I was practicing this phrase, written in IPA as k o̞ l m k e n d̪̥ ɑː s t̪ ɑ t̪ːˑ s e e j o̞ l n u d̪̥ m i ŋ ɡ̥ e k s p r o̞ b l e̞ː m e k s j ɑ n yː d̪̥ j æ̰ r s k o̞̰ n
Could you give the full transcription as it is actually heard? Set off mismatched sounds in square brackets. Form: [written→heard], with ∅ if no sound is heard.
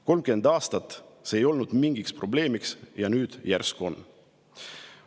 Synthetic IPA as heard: k o̞ l m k e n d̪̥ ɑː s t̪ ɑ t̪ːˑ s e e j o̞ l n u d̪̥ m i ŋ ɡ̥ [e→i] k s p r o̞ b l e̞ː m [e→i] k s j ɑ n yː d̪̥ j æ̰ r s k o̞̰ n